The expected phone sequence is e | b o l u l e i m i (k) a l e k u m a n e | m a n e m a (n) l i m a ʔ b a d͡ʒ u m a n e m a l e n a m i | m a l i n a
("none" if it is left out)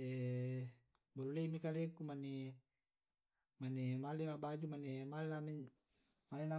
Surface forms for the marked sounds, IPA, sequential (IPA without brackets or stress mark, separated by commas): k, none